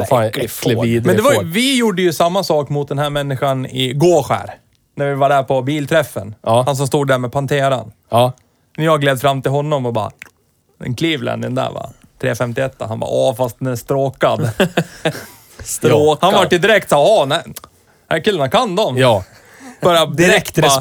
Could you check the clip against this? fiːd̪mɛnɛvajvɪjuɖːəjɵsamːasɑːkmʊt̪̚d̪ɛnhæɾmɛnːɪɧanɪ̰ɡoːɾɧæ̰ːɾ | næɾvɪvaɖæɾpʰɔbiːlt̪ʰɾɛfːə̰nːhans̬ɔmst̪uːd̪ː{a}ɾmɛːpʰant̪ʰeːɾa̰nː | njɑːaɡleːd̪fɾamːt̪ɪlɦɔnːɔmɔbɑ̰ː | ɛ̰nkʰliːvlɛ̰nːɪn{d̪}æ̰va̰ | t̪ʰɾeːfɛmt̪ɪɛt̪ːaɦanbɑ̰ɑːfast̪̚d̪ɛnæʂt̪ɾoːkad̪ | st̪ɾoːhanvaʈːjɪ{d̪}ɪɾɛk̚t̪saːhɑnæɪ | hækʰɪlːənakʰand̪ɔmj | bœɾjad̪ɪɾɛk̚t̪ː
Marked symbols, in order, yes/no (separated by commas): no, yes, yes